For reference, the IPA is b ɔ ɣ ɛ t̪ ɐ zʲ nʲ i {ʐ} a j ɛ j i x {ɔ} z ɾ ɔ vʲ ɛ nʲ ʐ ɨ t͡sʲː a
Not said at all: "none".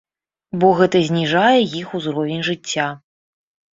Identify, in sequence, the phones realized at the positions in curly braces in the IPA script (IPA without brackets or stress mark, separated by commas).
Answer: ʐ, u